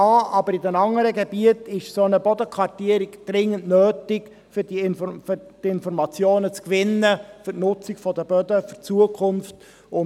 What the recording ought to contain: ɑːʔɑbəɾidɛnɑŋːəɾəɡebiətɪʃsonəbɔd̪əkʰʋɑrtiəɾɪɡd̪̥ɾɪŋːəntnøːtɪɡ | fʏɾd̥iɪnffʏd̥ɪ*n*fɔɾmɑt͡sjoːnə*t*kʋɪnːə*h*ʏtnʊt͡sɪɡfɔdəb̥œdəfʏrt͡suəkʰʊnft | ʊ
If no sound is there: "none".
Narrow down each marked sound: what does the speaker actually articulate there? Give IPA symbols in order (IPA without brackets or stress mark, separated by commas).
n, t͡s, f